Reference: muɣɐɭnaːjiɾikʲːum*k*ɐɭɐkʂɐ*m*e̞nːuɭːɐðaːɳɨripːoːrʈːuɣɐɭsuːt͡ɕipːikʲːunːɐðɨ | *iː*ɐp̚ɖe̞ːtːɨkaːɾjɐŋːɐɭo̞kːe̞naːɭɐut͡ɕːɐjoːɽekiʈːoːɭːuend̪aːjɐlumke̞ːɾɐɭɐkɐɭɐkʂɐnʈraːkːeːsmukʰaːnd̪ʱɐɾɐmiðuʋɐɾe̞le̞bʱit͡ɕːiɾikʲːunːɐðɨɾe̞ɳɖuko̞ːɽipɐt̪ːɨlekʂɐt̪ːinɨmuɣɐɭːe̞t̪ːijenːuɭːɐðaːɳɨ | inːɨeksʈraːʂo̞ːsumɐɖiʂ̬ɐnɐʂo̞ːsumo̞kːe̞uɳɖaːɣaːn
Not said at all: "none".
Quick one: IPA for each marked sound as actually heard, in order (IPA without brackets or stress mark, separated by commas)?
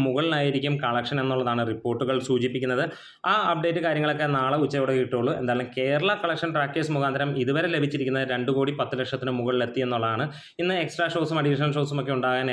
k, n, aː